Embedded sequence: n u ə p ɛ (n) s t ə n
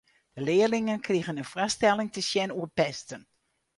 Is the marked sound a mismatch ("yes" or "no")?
yes